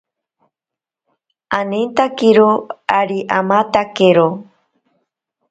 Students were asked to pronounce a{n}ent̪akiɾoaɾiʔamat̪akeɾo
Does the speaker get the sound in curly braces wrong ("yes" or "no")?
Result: no